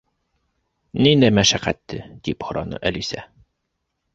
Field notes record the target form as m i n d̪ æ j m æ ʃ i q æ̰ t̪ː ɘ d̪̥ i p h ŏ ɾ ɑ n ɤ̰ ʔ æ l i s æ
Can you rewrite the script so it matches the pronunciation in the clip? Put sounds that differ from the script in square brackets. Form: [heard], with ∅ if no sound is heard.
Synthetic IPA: [n] i n d̪ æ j m æ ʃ [æ] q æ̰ t̪ː ɘ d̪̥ i p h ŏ ɾ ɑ n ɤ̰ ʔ æ l i s æ